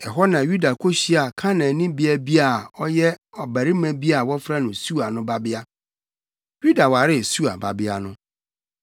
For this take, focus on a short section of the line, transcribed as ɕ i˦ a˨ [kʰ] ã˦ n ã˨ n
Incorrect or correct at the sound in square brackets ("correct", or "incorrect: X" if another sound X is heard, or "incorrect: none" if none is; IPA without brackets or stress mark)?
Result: correct